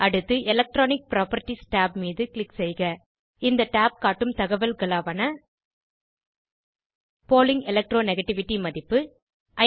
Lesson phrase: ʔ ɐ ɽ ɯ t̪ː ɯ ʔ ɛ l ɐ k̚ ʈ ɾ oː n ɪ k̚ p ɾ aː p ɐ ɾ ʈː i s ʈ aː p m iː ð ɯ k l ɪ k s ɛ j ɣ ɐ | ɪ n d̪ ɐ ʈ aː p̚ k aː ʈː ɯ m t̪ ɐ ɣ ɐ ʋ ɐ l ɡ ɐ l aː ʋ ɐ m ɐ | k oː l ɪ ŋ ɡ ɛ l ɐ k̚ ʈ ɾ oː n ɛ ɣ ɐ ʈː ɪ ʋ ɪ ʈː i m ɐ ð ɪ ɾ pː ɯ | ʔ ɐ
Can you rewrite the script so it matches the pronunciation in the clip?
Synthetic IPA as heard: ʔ ɐ ɽ ɯ t̪ː ɯ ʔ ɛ l ɐ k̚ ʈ ɾ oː n ɪ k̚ p ɾ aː p ɐ ɾ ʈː i s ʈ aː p m iː ð ɯ k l ɪ k s ɛ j ɣ ɐ | ɪ n d̪ ɐ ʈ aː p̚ k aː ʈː ɯ m t̪ ɐ ɣ ɐ ʋ ɐ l ɡ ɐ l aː ʋ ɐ n ɐ | p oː l ɪ ŋ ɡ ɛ l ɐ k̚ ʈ ɾ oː n ɛ ɣ ɐ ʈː ɪ ʋ ɪ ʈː i m ɐ ð ɪ pː ɯ | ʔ ɐ

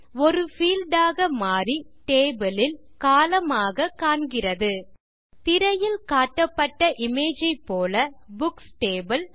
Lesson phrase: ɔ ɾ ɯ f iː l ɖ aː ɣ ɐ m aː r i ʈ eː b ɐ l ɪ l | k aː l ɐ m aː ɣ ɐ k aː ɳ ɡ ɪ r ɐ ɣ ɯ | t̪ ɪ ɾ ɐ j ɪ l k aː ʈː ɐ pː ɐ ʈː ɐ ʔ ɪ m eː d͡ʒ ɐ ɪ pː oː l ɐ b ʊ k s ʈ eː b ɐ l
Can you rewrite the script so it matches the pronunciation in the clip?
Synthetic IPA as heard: ɔ ɾ ɯ f iː l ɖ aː ɣ ɐ m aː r i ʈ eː b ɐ l ɪ l | k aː l ɐ m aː ɣ ɐ k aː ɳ ɡ ɪ r ɐ ð ɯ | t̪ ɪ ɾ ɐ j ɪ l k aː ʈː ɐ pː ɐ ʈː ɐ ʔ ɪ m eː d͡ʒ ɐ ɪ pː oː l ɐ b ʊ k s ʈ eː b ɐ l

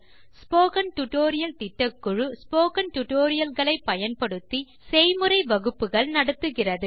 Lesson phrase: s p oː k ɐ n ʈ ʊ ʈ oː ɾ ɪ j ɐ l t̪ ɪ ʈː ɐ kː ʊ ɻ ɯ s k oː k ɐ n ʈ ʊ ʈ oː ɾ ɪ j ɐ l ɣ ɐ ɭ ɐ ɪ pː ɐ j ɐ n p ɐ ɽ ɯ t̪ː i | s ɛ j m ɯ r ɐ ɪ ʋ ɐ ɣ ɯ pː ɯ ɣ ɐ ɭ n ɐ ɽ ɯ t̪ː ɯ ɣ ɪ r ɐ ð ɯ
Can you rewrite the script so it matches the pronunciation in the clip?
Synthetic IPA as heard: s p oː k ɐ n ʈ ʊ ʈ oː ɾ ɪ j ɐ l t̪ ɪ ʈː ɐ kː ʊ ɻ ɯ s p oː k ɐ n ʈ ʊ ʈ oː ɾ ɪ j ɐ l ɣ ɐ ɭ ɐ ɪ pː ɐ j ɐ n p ɐ ɽ ɯ t̪ː i | s ɛ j m ɯ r ɐ ɪ ʋ ɐ ɣ ɯ pː ɯ ɣ ɐ ɭ n ɐ ɽ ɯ t̪ː ɯ ɣ ɪ r ɐ ð ɯ

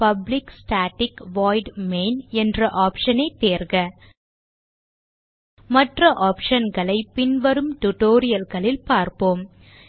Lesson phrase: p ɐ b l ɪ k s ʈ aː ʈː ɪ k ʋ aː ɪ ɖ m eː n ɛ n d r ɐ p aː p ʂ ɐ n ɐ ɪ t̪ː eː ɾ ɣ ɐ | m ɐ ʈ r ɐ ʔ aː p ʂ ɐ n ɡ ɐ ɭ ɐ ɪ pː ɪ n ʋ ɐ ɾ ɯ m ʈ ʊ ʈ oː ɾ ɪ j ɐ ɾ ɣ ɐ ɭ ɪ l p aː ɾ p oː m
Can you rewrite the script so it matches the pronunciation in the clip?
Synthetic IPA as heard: p ɐ b l ɪ k s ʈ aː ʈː ɪ k ʋ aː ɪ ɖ m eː n ɛ n d r ɐ ʔ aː p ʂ ɐ n ɐ ɪ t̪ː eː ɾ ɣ ɐ | m ɐ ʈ r ɐ ʔ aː p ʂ ɐ n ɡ ɐ ɭ ɐ ɪ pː ɪ n ʋ ɐ ɾ ɯ m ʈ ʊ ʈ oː ɾ ɪ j ɐ l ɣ ɐ ɭ ɪ l p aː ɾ p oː m

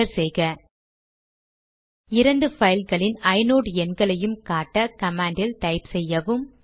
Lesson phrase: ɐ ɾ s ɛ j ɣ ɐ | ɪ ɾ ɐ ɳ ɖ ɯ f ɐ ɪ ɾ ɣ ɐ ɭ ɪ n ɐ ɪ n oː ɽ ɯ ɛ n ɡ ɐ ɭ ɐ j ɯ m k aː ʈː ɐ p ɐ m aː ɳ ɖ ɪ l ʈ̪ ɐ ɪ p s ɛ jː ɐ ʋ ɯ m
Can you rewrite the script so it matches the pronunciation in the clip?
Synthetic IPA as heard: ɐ ɾ s ɛ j ɣ ɐ | ɪ ɾ ɐ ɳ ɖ ɯ f ɐ ɪ l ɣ ɐ ɭ ɪ n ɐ ɪ n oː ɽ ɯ ɛ n ɡ ɐ ɭ ɐ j ɯ m k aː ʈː ɐ k ɐ m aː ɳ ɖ ɪ l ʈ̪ ɐ ɪ p s ɛ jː ɐ ʋ ɯ m

